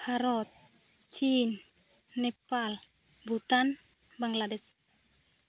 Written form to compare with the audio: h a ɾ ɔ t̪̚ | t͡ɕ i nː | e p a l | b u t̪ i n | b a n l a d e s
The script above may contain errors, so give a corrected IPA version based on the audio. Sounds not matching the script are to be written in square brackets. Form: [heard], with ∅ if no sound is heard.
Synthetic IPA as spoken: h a ɾ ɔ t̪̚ | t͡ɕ i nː | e p a l | b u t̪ [a] n | b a [ŋ] l a d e s